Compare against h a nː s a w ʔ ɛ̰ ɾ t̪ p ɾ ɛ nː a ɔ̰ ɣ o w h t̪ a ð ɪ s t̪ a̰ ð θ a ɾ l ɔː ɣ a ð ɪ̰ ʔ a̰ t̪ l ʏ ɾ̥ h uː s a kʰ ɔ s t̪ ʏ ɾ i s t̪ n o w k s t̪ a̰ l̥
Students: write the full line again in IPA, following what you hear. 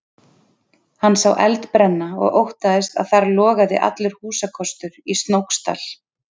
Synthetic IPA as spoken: h a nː s a w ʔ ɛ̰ l t̪ p ɾ ɛ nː a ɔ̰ ɣ o w h t̪ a ð ɪ s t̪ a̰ ð θ a ɾ l ɔː ɣ a ð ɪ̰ ʔ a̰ t̪ l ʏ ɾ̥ h uː s a kʰ ɔ s t̪ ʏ ɾ i s t̪ n o w k s t̪ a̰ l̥